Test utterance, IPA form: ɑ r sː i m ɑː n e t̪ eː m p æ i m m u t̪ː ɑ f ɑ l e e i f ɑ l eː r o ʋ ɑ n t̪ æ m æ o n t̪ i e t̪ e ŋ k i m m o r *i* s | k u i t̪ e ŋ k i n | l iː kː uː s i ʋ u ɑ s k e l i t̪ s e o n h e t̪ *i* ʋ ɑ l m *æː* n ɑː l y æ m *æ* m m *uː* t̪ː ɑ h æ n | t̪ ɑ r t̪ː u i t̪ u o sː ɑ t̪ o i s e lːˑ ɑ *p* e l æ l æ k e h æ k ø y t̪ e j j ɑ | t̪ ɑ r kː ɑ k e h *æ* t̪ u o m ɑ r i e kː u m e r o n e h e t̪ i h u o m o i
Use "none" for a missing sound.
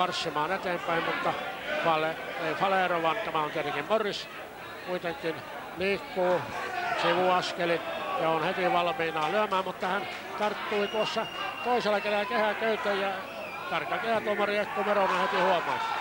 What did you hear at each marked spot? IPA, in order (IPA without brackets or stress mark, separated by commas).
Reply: i, i, iː, æː, u, k, æ